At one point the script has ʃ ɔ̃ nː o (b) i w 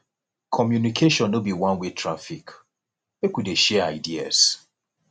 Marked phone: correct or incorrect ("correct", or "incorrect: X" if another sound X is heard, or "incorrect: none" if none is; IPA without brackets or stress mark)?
correct